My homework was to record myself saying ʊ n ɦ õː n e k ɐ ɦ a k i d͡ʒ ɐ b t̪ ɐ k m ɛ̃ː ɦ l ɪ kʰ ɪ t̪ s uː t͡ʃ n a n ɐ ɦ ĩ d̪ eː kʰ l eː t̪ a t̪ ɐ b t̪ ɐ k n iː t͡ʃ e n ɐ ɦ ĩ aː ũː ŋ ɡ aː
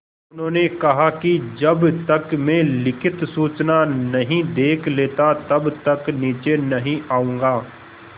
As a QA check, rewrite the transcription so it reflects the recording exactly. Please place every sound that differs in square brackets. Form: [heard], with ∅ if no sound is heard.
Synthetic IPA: ʊ n ɦ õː n e k ɐ ɦ a k i d͡ʒ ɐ b t̪ ɐ k m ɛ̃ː [∅] l ɪ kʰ ɪ t̪ s uː t͡ʃ n a n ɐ ɦ ĩ d̪ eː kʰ l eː t̪ a t̪ ɐ b t̪ ɐ k n iː t͡ʃ e n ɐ ɦ ĩ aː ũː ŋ ɡ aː